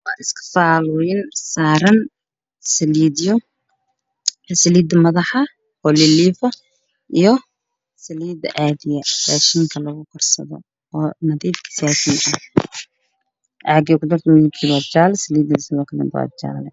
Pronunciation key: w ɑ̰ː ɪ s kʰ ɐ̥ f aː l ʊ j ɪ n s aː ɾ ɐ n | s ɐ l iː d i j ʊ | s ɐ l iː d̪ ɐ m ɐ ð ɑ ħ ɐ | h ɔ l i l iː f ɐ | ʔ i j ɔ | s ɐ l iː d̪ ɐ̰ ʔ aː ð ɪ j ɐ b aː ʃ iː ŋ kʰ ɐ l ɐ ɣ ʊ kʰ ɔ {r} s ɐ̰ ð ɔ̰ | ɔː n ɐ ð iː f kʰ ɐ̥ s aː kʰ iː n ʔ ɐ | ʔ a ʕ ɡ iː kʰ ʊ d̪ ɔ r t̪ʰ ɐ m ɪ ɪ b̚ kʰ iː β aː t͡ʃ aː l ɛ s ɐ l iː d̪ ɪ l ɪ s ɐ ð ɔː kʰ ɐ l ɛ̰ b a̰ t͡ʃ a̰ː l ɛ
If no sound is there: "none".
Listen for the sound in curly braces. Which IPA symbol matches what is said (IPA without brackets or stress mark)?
r